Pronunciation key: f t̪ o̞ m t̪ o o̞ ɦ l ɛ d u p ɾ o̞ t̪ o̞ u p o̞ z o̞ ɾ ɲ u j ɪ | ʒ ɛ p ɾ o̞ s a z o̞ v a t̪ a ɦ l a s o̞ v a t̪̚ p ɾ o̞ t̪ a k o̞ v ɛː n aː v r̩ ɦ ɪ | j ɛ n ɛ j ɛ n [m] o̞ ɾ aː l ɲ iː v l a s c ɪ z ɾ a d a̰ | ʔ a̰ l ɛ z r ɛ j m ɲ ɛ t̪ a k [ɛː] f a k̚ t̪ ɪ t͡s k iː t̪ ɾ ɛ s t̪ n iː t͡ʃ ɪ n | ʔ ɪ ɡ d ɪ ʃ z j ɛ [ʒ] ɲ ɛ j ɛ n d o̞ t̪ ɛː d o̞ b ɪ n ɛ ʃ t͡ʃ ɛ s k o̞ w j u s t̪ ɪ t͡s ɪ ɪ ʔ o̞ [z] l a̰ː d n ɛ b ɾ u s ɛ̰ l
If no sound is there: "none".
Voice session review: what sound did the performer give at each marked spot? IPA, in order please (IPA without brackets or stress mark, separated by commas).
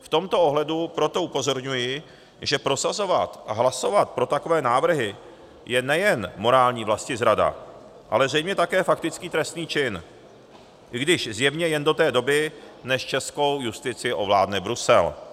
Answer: m, ɛː, v, v